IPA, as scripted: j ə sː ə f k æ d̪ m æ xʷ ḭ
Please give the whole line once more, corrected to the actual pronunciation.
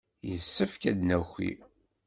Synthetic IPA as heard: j ə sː ə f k æ d̪ n æ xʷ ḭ